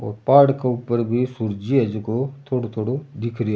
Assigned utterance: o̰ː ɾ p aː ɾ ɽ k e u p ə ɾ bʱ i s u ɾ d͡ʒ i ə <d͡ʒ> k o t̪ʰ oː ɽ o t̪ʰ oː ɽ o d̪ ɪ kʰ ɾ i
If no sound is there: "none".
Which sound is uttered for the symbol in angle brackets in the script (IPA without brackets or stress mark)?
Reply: d͡ʒ